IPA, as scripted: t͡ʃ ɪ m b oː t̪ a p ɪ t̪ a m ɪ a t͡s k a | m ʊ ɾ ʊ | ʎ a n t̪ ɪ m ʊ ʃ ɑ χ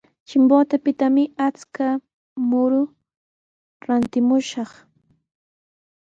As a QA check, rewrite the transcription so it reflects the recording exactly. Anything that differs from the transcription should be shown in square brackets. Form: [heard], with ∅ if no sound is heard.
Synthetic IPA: t͡ʃ ɪ m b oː t̪ a p ɪ t̪ a m ɪ a t͡s k a | m ʊ ɾ ʊ | [ɾ] a n t̪ ɪ m ʊ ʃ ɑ χ